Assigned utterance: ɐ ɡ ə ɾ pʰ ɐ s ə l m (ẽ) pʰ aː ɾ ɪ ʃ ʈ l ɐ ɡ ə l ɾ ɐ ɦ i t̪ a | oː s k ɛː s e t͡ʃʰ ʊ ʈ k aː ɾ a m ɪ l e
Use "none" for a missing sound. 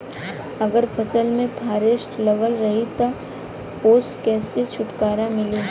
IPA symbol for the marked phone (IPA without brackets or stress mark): ẽ